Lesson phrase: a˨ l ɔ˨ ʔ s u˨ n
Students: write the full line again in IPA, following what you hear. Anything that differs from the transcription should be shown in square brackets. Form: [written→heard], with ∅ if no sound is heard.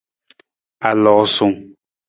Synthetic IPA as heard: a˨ l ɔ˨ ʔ s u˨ [n→ŋ]